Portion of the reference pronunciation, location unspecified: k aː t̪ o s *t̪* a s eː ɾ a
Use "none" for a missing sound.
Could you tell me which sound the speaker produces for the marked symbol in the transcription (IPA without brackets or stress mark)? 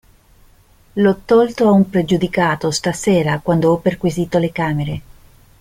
t̪